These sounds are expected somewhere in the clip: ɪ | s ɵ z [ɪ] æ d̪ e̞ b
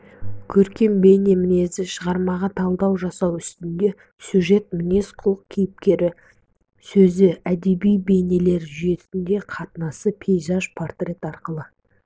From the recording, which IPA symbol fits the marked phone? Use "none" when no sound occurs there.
ɪ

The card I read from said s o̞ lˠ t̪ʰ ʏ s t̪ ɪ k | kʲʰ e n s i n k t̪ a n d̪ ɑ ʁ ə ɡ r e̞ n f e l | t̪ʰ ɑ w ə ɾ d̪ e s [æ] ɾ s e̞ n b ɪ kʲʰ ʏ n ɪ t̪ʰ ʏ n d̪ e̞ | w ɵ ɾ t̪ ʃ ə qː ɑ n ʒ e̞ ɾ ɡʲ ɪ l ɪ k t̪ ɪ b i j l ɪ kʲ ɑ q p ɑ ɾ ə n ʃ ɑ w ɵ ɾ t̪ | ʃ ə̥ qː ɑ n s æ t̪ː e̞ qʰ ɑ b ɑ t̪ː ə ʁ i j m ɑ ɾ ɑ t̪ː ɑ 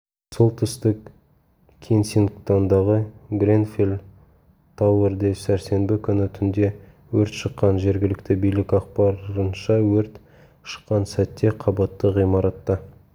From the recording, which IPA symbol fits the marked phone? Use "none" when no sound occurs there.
æ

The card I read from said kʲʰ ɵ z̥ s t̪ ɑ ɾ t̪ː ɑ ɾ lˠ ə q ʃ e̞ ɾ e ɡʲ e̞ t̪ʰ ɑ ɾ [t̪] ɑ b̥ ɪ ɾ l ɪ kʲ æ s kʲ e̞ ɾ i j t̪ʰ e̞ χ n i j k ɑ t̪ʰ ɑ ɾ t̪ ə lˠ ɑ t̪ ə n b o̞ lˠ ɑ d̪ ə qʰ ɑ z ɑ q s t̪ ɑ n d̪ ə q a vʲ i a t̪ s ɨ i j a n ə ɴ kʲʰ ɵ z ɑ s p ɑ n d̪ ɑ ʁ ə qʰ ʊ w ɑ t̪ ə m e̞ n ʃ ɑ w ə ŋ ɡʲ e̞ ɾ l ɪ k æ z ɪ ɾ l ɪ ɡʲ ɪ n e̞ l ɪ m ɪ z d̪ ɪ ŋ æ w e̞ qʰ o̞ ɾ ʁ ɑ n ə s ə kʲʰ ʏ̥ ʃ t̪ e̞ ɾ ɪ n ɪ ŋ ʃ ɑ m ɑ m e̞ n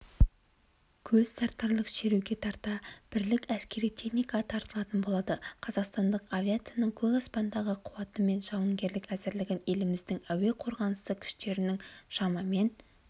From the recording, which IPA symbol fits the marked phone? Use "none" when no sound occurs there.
t̪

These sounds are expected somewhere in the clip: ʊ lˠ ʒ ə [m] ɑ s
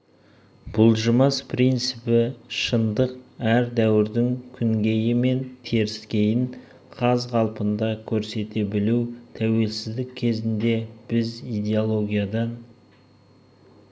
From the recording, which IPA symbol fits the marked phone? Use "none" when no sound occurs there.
m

